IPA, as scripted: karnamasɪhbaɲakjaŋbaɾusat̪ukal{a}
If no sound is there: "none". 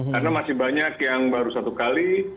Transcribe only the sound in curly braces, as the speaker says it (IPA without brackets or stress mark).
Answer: i